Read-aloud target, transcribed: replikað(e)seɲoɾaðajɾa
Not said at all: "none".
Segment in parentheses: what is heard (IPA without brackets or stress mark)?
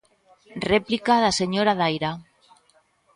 a